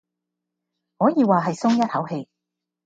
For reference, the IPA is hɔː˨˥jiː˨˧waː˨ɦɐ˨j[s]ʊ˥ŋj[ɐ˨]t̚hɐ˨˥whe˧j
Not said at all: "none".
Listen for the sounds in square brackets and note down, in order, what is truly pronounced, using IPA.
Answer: s, ɐ˥

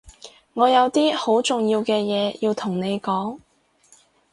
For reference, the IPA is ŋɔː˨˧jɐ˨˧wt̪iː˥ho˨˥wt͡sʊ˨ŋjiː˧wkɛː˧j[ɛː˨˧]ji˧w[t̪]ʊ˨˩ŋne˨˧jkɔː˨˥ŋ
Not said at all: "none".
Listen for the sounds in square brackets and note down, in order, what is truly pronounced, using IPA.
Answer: ɛː˨˧, t̪ʰ

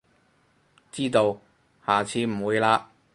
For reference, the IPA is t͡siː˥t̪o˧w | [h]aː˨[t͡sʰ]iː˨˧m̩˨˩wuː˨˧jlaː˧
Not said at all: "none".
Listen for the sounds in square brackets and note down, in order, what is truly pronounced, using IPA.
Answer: h, t͡sʰ

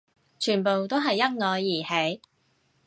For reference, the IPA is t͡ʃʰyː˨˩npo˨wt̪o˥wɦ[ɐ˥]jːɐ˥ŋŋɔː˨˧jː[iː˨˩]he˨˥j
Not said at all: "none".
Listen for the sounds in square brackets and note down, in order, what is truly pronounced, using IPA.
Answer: ɐ˨, iː˨˩

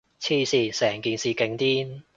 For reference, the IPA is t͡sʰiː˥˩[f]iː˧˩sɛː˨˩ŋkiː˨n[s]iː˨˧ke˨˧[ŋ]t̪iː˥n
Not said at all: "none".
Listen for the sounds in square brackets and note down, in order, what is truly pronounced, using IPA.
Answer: s, s, ŋ

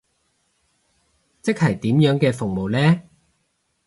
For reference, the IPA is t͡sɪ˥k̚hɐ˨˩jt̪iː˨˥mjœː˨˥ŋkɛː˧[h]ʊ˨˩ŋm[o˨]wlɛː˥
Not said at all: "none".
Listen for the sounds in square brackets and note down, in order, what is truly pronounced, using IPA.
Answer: f, o˨

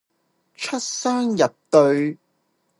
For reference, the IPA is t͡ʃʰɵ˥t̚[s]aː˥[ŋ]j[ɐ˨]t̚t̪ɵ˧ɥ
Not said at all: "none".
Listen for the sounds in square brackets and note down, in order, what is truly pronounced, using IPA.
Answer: s, ŋ, ɐ˨

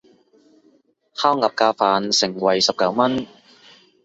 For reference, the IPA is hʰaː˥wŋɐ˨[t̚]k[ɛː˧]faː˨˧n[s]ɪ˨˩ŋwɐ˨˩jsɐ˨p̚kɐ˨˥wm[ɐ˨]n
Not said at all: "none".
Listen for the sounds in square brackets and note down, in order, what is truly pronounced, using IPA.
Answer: p̚, aː˧, s, ɐ˥

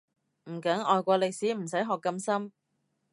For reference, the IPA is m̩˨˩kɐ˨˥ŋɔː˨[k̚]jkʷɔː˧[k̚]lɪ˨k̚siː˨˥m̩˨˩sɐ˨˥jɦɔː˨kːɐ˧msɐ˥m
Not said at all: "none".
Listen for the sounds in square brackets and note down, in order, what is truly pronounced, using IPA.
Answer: none, none

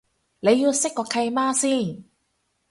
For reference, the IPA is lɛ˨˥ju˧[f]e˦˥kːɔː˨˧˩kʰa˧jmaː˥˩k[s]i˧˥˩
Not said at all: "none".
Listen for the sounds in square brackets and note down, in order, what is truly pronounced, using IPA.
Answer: s, s

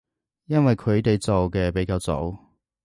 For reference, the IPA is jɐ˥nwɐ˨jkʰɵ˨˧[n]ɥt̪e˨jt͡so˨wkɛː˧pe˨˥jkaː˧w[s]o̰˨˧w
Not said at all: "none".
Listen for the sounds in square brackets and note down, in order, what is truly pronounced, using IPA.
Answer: none, t͡s

